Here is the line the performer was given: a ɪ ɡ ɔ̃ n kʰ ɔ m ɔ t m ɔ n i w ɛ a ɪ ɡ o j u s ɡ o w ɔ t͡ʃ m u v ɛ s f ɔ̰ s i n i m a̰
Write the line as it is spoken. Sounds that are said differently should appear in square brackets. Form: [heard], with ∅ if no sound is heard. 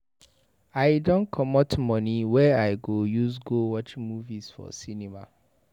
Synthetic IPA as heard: a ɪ [d] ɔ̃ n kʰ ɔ m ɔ t m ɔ n i w ɛ a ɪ ɡ o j u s ɡ o w ɔ t͡ʃ m u v [i] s f ɔ̰ s i n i m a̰